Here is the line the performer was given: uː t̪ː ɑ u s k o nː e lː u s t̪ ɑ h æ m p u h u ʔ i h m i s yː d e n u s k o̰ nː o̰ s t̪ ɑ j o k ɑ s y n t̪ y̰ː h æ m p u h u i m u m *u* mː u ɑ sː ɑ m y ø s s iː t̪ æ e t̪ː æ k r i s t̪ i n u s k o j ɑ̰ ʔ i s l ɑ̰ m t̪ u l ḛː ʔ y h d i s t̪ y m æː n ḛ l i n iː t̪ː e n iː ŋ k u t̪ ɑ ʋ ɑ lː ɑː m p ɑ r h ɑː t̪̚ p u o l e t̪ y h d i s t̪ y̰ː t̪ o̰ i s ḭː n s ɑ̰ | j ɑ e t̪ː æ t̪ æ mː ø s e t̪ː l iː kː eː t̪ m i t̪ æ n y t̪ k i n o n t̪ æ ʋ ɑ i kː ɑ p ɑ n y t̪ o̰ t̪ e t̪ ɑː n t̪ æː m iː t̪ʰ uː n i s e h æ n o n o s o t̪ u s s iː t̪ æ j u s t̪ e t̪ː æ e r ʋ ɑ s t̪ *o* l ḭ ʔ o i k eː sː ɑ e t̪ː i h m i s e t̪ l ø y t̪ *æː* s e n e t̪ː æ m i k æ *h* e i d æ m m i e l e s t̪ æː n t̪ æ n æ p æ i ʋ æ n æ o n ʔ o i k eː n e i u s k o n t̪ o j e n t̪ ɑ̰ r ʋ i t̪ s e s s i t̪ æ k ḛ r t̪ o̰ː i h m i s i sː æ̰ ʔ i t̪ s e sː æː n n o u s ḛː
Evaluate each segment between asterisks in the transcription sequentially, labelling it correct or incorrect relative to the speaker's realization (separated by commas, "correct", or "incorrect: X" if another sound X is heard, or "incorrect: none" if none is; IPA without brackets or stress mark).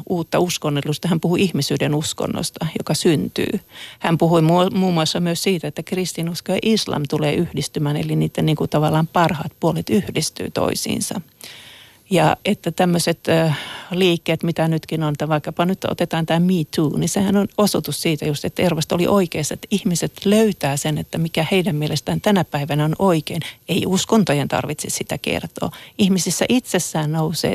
incorrect: uː, correct, correct, correct